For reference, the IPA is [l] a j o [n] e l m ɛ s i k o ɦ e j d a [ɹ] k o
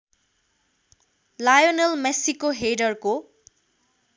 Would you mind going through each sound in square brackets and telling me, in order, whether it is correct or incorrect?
correct, correct, correct

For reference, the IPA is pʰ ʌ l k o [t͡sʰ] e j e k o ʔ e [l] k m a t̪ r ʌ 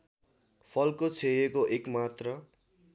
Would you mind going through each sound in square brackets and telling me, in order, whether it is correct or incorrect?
correct, incorrect: none

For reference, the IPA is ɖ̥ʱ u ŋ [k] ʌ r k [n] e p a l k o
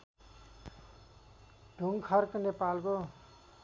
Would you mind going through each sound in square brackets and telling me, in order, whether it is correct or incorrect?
incorrect: kʰ, correct

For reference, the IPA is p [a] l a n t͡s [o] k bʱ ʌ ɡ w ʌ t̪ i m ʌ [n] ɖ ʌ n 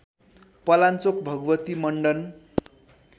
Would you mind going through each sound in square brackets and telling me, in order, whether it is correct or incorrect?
incorrect: ʌ, correct, incorrect: ɳ

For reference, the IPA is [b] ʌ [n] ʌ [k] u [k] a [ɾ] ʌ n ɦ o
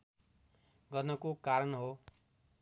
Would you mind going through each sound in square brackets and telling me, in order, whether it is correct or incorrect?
incorrect: ɡ, correct, correct, correct, correct

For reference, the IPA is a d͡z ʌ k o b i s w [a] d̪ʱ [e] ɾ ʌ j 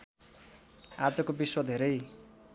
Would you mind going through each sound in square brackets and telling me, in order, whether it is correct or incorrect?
incorrect: ʌ, correct

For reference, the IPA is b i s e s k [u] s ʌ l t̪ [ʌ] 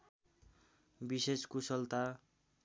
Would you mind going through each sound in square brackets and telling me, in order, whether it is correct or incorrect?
correct, incorrect: a

